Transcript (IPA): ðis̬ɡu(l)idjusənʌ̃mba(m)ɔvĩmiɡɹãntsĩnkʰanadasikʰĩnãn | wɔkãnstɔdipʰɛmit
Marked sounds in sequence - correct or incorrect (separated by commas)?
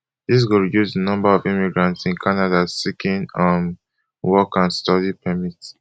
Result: incorrect, incorrect